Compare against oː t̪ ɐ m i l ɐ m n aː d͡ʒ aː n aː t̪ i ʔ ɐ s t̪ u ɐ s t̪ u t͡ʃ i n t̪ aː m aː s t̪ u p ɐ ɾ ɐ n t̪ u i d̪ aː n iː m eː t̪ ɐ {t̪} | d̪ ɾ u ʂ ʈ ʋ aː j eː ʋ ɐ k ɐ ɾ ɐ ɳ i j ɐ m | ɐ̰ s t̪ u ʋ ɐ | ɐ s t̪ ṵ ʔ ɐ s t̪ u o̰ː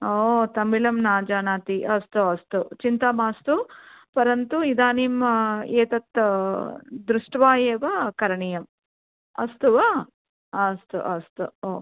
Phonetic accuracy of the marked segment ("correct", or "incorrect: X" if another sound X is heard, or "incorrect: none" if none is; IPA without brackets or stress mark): correct